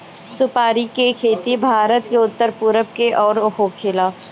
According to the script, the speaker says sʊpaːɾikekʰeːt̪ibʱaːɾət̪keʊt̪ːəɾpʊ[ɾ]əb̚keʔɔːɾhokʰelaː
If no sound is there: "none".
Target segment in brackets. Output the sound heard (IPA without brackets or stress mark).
ɾ